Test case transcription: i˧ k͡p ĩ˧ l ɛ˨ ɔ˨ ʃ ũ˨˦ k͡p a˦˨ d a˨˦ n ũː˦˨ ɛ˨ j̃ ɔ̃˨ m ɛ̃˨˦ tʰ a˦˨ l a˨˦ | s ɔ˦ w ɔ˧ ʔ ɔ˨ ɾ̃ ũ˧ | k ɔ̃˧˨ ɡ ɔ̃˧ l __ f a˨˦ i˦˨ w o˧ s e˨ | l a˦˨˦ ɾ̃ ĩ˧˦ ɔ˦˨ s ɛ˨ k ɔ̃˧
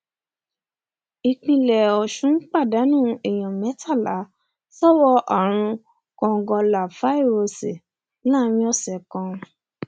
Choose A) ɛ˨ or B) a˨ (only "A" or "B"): B